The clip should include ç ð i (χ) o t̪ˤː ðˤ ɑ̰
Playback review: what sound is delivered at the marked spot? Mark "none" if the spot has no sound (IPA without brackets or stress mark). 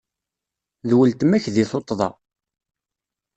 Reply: θ